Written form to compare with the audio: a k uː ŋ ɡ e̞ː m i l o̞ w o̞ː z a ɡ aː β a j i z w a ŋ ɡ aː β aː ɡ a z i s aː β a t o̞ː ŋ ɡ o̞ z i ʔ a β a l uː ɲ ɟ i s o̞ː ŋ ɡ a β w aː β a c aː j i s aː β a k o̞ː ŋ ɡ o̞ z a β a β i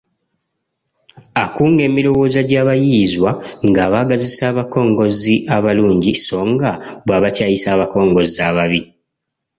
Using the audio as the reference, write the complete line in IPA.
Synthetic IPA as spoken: a k uː ŋ ɡ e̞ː m i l o̞ w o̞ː z a ɟ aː β a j i z w a ŋ ɡ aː β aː ɡ a z i s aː β a k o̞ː ŋ ɡ o̞ z i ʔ a β a l uː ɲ ɟ i s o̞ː ŋ ɡ a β w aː β a c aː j i s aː β a k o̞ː ŋ ɡ o̞ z a β a β i